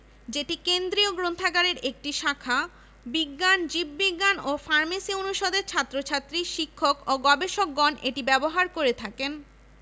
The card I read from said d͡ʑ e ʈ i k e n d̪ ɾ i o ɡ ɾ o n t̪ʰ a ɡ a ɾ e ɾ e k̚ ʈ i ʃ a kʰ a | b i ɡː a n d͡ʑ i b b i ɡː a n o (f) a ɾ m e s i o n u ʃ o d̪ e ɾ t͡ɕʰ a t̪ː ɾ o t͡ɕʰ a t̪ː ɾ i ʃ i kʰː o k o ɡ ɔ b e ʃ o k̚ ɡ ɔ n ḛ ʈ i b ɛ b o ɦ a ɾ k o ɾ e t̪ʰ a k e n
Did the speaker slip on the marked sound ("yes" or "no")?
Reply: no